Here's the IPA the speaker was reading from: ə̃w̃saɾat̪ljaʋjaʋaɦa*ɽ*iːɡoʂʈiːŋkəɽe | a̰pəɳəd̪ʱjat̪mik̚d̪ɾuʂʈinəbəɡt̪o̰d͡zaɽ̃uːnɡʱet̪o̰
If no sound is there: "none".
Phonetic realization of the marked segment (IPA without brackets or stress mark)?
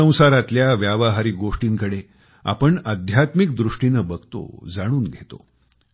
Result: ɾ